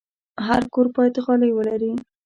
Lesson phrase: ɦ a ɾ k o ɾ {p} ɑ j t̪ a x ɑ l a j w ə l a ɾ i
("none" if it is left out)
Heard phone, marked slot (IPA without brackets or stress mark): p